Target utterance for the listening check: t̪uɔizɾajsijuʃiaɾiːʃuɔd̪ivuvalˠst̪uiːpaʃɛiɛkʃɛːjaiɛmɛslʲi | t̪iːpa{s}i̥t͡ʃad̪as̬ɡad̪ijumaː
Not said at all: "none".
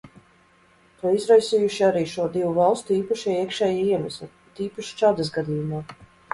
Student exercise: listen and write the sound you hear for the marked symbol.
ʃ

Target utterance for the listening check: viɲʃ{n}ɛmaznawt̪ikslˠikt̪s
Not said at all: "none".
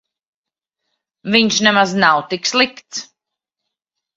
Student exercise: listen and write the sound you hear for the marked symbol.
n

